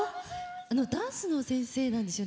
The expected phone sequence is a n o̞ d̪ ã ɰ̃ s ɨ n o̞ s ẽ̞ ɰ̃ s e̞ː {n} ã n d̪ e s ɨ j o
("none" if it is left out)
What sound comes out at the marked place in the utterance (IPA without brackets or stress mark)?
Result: n